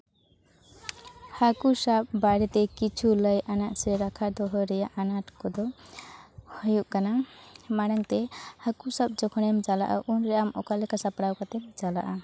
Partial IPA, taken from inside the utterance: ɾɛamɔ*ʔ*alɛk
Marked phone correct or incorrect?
incorrect